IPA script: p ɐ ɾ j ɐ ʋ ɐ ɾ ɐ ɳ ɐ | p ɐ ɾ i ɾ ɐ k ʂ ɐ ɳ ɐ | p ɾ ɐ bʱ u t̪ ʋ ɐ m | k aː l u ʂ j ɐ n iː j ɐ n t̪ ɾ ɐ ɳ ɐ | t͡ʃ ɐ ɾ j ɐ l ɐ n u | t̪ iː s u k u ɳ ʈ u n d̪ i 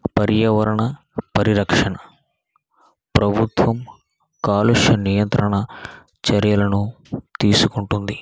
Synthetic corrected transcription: p ɐ ɾ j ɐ ʋ ɐ ɾ ɐ ɳ ɐ | p ɐ ɾ i ɾ ɐ k ʂ ɐ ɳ ɐ | p ɾ ɐ bʱ u t̪ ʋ ɐ m | k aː l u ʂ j ɐ n i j ɐ n t̪ ɾ ɐ ɳ ɐ | t͡ʃ ɐ ɾ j ɐ l ɐ n u | t̪ iː s u k u ɳ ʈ u n d̪ i